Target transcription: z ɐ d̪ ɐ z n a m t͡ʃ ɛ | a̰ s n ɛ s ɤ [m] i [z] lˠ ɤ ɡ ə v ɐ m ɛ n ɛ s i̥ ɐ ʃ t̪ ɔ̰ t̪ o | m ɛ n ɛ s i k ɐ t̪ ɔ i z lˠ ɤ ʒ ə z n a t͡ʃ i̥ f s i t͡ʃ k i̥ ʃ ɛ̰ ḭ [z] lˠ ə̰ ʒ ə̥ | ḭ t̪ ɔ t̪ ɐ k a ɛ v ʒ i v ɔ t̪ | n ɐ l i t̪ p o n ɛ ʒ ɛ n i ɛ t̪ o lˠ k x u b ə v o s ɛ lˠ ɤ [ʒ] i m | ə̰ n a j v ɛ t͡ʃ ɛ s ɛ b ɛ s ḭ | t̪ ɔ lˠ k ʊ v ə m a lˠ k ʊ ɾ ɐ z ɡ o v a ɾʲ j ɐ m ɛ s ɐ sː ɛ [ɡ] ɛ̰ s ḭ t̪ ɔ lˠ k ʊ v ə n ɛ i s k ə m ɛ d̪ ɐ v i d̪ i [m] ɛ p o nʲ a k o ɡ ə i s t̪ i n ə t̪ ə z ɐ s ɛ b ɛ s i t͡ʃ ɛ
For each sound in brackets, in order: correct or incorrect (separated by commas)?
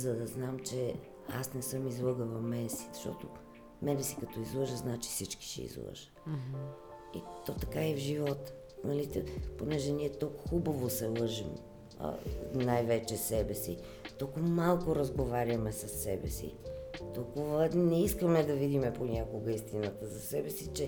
correct, correct, correct, correct, incorrect, correct